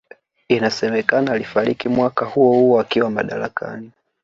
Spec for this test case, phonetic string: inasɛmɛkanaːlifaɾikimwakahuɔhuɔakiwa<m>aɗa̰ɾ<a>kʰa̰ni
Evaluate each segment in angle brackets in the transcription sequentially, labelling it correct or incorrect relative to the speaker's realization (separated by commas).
correct, correct